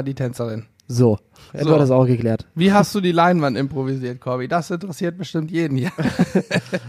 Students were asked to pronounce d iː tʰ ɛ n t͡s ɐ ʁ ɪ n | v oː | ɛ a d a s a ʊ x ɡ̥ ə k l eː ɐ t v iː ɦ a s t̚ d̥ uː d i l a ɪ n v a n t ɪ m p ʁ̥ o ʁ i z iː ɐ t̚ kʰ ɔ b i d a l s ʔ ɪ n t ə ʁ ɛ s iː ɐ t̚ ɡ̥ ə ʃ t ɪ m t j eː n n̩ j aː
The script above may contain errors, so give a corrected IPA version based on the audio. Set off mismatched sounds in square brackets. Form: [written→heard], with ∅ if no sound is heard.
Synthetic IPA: d iː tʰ ɛ n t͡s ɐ ʁ ɪ n | [v→z] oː | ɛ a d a s a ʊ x ɡ̥ ə k l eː ɐ t v iː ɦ a s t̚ d̥ uː d [i→iː] l a ɪ n v a n t ɪ m p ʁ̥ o [ʁ→v] i z iː ɐ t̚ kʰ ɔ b i d a [l→∅] s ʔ ɪ n t ə ʁ ɛ s iː ɐ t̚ [ɡ̥→b̥] ə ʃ t ɪ m t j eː [n→d] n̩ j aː